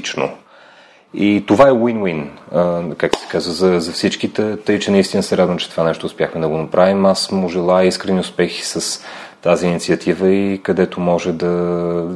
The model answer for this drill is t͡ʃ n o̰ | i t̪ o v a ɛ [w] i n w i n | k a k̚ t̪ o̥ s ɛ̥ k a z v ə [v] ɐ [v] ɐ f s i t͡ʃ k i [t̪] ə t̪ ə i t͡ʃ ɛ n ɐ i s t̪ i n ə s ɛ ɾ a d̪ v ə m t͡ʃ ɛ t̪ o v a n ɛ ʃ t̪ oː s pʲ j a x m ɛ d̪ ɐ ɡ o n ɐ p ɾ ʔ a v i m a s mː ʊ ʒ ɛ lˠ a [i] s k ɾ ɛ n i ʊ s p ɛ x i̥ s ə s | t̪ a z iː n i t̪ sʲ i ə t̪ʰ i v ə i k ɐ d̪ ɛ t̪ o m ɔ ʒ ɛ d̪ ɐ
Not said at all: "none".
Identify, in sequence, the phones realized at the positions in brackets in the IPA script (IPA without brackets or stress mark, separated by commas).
w, z, z, t̪, i